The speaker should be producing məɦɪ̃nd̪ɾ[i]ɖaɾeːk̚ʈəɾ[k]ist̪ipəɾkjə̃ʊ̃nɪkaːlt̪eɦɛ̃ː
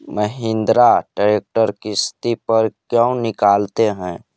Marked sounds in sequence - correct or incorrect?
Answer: incorrect, correct

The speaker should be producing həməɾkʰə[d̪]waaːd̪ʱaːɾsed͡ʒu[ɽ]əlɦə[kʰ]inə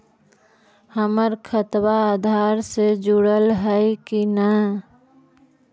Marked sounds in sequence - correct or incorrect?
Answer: incorrect, correct, incorrect

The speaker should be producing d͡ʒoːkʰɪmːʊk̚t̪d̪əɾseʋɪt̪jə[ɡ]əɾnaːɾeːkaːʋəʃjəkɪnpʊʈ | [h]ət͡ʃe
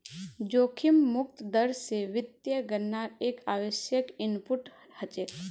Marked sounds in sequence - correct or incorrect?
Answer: correct, correct

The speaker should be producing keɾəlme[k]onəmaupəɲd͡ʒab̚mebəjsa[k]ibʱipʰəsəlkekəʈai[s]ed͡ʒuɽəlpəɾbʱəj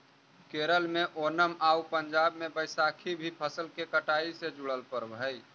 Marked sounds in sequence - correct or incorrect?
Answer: incorrect, incorrect, correct

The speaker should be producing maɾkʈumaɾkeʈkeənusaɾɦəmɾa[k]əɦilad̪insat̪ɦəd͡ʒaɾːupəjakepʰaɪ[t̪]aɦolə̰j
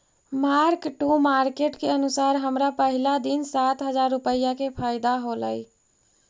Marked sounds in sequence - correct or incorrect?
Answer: incorrect, incorrect

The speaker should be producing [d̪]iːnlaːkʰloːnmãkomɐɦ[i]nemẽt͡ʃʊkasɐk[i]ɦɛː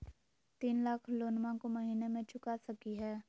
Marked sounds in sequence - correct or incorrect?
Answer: incorrect, incorrect, correct

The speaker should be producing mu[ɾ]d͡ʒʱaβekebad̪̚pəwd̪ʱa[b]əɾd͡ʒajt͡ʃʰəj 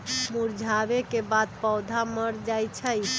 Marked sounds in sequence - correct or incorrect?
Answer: correct, incorrect

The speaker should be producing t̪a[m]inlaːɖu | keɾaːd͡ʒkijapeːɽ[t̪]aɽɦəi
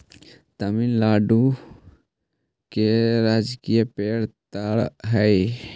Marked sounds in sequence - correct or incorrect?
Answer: correct, correct

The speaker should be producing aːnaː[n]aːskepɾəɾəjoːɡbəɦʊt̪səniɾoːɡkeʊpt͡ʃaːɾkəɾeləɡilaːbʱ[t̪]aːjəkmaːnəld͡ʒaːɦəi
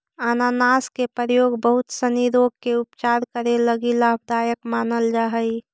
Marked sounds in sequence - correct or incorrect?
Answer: correct, incorrect

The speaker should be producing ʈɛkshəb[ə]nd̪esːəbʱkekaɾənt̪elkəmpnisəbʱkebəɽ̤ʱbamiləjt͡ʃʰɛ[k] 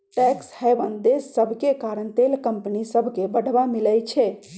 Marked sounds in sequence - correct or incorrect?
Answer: correct, incorrect

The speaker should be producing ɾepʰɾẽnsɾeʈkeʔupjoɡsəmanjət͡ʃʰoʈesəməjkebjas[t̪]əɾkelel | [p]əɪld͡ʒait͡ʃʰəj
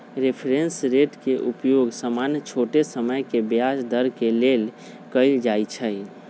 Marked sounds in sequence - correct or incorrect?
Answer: incorrect, incorrect

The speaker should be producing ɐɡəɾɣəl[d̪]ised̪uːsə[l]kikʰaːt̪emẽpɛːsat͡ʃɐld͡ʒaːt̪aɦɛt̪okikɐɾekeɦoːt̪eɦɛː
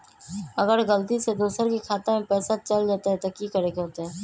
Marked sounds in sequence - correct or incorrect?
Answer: incorrect, incorrect

